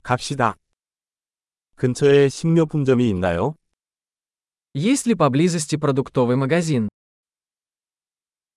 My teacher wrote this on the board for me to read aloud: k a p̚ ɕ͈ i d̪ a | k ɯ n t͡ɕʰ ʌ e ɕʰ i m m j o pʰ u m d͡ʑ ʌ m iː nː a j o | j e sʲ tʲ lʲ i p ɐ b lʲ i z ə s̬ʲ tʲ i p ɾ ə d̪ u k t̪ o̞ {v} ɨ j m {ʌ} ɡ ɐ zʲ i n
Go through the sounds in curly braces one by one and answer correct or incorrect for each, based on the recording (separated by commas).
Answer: correct, incorrect